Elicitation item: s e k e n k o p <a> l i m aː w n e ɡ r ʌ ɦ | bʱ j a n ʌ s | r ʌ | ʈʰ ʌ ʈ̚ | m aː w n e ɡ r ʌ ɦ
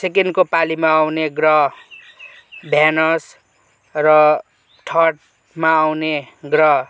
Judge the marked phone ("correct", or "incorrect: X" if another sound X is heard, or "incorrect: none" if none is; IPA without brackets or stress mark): correct